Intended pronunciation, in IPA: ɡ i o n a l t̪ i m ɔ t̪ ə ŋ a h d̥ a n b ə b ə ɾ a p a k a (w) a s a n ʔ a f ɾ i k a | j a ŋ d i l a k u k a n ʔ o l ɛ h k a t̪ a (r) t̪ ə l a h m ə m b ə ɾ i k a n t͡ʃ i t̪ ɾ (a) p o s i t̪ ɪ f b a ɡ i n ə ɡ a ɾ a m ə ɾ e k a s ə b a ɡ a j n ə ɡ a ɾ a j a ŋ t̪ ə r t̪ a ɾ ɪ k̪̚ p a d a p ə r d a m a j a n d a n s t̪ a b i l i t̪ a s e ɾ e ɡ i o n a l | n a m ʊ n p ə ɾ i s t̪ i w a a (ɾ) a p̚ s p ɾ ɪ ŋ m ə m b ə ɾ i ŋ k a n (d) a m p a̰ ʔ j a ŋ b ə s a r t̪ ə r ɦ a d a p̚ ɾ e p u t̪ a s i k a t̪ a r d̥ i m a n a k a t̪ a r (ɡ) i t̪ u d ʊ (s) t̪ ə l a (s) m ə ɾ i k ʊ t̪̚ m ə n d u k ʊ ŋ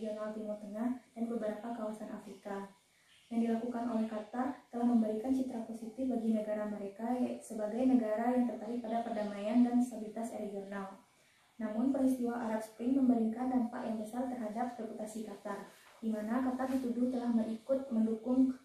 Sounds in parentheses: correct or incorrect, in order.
correct, correct, correct, correct, correct, incorrect: d, incorrect: h, incorrect: h

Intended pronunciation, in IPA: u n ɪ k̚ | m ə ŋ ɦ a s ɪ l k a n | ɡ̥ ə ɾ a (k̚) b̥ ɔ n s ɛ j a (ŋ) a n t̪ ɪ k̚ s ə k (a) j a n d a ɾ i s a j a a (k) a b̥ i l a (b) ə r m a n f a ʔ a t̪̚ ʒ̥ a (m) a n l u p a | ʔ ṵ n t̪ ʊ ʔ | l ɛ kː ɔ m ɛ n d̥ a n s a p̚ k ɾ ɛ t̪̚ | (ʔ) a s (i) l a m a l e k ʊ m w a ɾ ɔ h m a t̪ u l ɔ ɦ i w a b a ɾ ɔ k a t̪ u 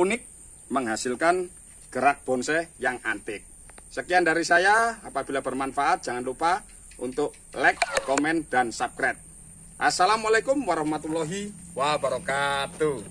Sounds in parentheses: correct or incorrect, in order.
correct, correct, incorrect: i, incorrect: p, correct, incorrect: ŋ, correct, incorrect: a

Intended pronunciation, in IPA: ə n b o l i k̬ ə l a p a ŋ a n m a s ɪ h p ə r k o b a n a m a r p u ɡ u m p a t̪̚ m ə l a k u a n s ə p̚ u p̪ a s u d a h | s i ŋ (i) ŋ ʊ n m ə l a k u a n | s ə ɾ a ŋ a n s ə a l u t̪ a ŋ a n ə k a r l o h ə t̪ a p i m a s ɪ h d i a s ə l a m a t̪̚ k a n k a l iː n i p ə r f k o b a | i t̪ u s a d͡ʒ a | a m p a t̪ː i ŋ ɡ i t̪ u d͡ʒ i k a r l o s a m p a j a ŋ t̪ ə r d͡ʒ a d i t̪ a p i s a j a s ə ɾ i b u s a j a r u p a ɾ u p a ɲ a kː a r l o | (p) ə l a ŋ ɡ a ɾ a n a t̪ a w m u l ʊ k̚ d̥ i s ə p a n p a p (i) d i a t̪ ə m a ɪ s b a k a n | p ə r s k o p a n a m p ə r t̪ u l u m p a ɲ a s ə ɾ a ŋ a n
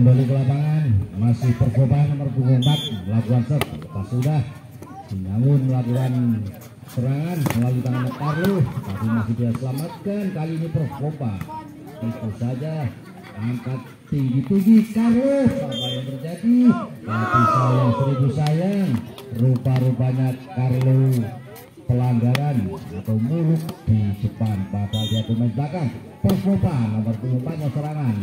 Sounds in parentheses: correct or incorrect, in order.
incorrect: a, correct, incorrect: a

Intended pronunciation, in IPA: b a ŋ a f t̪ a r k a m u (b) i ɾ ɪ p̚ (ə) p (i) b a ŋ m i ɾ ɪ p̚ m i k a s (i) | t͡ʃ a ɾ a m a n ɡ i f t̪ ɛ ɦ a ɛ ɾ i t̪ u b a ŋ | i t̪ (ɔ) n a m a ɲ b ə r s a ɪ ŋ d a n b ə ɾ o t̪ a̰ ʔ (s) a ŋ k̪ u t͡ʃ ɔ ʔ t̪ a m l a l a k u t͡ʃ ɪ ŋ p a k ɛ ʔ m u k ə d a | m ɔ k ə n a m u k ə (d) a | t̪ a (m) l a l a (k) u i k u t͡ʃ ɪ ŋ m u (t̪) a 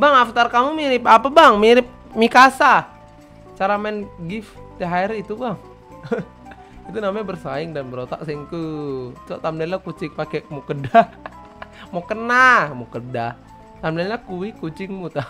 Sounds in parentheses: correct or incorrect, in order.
incorrect: m, incorrect: a, incorrect: a, incorrect: a, incorrect: u, correct, correct, correct, correct, correct

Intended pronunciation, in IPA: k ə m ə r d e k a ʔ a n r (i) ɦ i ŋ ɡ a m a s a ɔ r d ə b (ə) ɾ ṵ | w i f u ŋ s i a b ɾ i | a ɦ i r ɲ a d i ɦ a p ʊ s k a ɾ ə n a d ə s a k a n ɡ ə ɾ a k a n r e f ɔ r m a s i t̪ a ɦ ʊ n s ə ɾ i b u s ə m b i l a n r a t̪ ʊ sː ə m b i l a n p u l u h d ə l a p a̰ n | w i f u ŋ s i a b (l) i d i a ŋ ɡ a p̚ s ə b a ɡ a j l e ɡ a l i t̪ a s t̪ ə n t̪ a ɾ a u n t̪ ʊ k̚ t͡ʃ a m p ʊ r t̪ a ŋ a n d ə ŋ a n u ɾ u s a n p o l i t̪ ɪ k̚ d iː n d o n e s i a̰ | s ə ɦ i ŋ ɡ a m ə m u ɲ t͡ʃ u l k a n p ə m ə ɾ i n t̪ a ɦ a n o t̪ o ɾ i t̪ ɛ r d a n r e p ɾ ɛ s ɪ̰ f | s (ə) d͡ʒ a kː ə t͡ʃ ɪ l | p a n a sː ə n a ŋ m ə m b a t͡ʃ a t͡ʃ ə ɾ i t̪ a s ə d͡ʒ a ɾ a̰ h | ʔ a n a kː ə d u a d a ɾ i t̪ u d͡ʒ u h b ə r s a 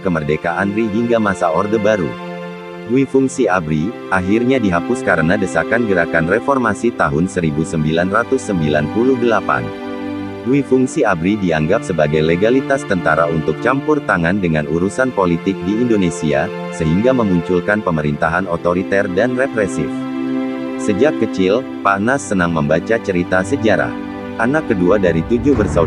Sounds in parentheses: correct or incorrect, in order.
correct, incorrect: a, incorrect: ɾ, correct

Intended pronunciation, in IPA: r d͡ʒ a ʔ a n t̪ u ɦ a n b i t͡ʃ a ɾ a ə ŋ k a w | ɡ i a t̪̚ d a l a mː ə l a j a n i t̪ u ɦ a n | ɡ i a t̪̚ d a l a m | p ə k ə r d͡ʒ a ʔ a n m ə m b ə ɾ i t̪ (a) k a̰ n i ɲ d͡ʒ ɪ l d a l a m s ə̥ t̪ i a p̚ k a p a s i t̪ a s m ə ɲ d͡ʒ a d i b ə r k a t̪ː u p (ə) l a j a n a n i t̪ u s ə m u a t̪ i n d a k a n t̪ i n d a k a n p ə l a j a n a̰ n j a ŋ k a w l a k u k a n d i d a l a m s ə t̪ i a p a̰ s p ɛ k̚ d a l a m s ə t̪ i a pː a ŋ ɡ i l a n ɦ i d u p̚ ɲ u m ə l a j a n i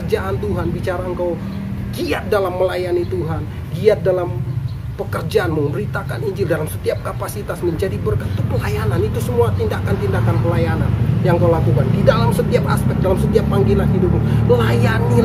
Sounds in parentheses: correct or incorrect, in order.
correct, correct

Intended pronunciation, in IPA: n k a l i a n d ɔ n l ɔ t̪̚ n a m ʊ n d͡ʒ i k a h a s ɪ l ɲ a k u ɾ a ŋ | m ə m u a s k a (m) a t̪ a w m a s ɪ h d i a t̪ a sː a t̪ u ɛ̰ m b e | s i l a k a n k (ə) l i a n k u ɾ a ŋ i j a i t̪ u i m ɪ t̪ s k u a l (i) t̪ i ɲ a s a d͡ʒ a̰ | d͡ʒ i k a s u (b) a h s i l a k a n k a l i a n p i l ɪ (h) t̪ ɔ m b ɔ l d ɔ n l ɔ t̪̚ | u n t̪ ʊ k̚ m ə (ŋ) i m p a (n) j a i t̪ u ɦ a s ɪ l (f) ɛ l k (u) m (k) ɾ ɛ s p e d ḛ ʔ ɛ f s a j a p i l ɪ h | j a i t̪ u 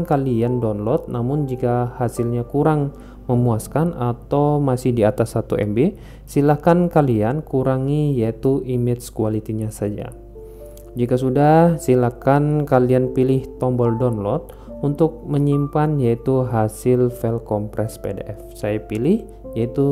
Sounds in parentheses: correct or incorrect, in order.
incorrect: n, incorrect: a, correct, incorrect: d, correct, incorrect: ɲ, correct, correct, incorrect: ɔ, incorrect: p

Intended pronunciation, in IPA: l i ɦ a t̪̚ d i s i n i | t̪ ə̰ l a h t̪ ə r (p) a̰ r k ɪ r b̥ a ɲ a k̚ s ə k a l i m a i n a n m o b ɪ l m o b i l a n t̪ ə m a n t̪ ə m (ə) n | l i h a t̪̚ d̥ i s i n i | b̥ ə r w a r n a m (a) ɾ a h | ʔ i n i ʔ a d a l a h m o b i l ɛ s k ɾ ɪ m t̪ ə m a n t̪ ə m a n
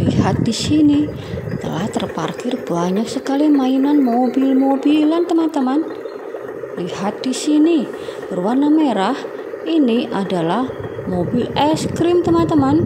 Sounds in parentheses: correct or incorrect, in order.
correct, incorrect: a, incorrect: e

